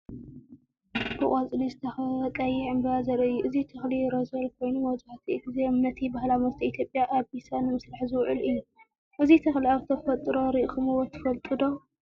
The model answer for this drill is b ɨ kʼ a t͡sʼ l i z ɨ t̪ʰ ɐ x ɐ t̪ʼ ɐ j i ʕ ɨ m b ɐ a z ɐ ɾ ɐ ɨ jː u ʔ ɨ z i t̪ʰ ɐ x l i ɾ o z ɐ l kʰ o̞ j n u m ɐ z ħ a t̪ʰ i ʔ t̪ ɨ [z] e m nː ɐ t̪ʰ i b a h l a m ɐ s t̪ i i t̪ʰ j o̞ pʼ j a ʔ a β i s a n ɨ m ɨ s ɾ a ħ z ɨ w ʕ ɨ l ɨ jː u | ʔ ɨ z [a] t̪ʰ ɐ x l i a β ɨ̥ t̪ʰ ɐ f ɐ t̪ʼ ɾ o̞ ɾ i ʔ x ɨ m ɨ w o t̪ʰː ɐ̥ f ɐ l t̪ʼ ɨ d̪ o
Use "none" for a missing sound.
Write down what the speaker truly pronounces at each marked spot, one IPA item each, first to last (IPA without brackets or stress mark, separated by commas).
z, i